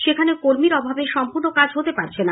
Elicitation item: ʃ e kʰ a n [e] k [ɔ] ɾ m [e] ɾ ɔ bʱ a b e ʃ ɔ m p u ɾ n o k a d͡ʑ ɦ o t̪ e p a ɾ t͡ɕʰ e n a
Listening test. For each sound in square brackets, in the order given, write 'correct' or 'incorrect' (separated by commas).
correct, incorrect, incorrect